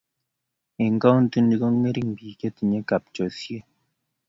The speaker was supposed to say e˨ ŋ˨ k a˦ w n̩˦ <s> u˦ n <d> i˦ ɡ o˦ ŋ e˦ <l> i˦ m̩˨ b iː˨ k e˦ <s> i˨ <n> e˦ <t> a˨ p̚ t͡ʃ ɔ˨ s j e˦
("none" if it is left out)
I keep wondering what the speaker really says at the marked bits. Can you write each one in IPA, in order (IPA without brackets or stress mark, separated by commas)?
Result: t, d, ɾ, t, ɲ, k